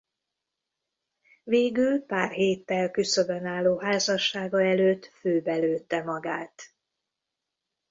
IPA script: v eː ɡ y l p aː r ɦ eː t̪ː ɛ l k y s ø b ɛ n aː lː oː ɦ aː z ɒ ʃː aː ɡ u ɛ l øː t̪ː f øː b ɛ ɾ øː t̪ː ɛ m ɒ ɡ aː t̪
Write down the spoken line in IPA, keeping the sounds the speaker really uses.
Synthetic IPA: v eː ɡ y l p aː r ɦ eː t̪ː ɛ l k y s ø b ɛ n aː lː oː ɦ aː z ɒ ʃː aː ɡ ɒ ɛ l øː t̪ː f øː b ɛ l øː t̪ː ɛ m ɒ ɡ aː t̪